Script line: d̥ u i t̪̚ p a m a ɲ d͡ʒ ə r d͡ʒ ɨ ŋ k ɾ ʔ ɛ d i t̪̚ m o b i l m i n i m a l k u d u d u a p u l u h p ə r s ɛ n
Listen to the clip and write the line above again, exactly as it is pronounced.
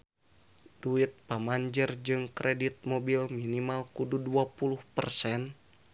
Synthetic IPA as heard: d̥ u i t̪̚ p a m a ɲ d͡ʒ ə r d͡ʒ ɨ ŋ k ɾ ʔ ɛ d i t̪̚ m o b i l m i n i m a l k u d u d u a p u l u h p ə r s ɛ n